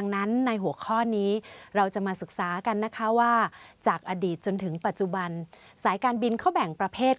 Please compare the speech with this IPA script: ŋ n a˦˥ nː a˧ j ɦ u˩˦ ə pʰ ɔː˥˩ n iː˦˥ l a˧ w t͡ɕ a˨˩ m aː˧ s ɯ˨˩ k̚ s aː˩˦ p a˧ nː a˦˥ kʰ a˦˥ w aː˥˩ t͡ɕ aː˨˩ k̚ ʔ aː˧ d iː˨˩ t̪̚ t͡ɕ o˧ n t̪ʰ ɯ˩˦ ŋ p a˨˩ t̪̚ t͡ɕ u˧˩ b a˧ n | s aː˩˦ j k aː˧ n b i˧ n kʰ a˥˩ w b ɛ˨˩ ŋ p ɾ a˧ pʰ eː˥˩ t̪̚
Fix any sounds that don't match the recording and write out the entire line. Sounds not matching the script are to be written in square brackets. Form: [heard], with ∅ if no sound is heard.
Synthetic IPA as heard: ŋ n a˦˥ nː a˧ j ɦ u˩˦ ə [kʰ] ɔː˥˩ n iː˦˥ [ɾ] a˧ w t͡ɕ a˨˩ m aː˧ s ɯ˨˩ k̚ s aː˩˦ [k] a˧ nː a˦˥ kʰ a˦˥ w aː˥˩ t͡ɕ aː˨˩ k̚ ʔ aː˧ d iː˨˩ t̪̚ t͡ɕ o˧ n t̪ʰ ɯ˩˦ ŋ p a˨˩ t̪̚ t͡ɕ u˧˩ b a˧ n | s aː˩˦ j k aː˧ n b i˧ n kʰ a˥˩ w b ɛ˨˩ ŋ p ɾ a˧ pʰ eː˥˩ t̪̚

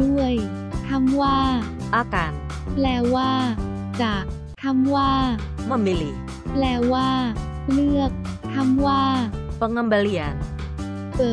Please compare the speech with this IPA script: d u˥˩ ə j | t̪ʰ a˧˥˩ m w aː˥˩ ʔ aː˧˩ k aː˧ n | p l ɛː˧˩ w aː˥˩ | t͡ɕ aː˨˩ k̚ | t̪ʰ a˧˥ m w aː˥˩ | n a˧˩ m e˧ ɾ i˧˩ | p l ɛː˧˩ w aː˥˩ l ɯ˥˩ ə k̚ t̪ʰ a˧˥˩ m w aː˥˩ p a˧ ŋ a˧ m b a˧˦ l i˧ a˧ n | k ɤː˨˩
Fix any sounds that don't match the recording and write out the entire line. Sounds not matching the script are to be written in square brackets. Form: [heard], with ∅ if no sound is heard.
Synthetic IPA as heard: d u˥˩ ə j | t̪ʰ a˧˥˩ m w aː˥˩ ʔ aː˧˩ k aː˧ n | p l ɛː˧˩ w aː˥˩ | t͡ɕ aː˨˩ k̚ | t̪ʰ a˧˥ m w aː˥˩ | [m] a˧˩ m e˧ [l] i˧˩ | p l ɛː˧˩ w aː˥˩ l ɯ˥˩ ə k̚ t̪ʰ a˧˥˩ m w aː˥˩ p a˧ ŋ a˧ m b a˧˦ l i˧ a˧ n | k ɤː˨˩

